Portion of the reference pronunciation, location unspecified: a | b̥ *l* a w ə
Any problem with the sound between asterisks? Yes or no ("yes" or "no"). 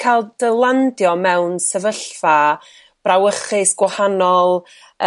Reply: yes